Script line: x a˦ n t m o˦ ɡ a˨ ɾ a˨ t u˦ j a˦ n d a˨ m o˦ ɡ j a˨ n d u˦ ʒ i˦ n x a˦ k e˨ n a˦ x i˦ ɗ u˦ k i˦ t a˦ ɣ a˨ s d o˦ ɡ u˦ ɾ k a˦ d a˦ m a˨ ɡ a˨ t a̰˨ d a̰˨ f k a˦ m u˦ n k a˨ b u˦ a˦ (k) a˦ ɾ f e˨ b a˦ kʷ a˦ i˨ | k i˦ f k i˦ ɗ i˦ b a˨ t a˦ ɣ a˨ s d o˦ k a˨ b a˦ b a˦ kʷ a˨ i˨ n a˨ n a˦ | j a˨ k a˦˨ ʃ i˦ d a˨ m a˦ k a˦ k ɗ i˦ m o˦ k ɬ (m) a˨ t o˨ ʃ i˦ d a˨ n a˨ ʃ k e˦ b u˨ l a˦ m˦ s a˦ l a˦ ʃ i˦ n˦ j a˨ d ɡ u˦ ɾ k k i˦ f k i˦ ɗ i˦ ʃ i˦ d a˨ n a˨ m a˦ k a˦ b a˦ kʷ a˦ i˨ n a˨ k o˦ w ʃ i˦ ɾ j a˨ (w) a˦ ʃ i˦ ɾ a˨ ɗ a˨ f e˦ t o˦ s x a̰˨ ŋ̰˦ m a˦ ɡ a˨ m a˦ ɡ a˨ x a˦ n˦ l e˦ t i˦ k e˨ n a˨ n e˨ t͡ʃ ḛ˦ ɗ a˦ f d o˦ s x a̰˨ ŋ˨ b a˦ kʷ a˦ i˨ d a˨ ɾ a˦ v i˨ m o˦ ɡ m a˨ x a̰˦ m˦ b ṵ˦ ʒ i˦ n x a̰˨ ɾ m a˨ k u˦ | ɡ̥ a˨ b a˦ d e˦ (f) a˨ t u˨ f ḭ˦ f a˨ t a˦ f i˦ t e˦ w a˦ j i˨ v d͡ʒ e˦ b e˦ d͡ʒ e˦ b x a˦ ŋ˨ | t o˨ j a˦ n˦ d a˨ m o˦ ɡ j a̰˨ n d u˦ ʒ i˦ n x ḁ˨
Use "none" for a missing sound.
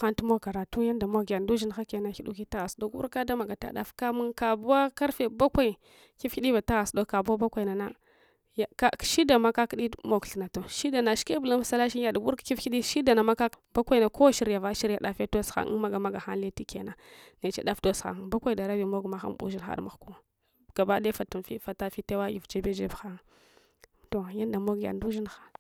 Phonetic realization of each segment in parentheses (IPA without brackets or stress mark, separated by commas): k, n, v, f